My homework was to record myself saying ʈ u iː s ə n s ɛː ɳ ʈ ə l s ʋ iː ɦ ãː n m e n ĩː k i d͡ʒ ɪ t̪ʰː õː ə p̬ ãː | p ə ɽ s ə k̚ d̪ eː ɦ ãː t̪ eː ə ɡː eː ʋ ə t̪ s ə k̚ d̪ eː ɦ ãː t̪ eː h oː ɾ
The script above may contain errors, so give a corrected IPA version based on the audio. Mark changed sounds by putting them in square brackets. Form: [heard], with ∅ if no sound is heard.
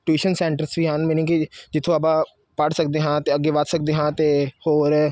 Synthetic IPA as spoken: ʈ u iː [ʃ] ə n s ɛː ɳ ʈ ə [ɾ] s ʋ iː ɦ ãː n m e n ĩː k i d͡ʒ ɪ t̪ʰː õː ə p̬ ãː | p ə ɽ s ə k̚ d̪ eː ɦ ãː t̪ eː ə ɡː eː ʋ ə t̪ s ə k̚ d̪ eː ɦ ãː t̪ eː h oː ɾ